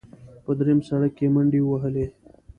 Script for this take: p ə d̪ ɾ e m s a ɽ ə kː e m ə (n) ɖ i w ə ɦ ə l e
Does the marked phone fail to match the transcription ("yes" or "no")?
yes